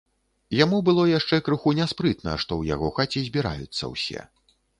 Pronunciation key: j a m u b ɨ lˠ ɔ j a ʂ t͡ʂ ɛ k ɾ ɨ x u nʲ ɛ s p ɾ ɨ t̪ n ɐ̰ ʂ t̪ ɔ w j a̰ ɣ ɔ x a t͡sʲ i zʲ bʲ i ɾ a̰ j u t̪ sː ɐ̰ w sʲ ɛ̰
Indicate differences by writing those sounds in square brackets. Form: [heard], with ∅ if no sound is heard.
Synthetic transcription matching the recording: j a m u b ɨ lˠ ɔ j a ʂ t͡ʂ ɛ k ɾ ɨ x u nʲ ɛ s p ɾ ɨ t̪ n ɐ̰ ʂ t̪ ɔ w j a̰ ɣ ɔ x a t͡sʲ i zʲ bʲ i ɾ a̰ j u t̪ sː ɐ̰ w sʲ ɛ̰